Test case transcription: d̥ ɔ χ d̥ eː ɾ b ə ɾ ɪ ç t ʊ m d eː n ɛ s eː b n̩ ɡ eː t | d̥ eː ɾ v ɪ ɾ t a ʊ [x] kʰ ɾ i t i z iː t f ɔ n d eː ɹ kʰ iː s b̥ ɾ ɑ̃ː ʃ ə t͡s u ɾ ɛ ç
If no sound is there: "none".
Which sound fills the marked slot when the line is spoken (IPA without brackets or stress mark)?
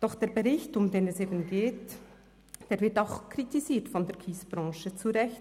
x